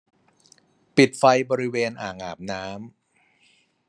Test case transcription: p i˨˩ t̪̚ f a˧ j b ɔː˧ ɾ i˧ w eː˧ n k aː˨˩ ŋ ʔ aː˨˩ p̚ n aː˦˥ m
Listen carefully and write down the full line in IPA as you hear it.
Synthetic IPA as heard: p i˨˩ t̪̚ f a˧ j b ɔː˧ ɾ i˦˥ w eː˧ n ʔ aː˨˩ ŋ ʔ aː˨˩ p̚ n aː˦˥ m

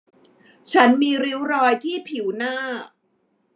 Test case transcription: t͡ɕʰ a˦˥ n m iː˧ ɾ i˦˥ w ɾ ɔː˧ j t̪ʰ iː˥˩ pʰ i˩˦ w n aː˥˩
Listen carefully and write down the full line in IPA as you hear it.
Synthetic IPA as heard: t͡ɕʰ a˦˥ n m iː˧ ɾ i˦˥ w ɾ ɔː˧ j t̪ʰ iː˥˩ pʰ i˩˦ w n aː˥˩

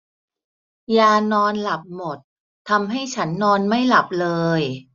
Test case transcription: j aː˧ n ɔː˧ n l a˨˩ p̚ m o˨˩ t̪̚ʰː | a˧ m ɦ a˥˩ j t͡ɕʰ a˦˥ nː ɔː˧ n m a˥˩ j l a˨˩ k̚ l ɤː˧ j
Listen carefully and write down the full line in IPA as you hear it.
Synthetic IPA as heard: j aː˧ n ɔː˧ n l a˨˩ p̚ m o˨˩ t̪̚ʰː | a˧ m ɦ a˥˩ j t͡ɕʰ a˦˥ nː ɔː˧ n m a˥˩ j l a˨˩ p̚ l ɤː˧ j

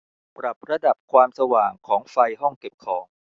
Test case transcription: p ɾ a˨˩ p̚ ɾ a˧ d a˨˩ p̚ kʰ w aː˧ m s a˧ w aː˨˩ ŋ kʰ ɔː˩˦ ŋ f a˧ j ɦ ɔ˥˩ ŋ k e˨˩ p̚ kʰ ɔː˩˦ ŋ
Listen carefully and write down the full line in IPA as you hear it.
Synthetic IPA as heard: p ɾ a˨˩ p̚ ɾ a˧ d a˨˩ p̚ kʰ w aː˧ m s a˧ w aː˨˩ ŋ kʰ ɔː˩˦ ŋ f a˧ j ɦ ɔ˥˩ ŋ k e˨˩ p̚ kʰ ɔː˩˦ ŋ

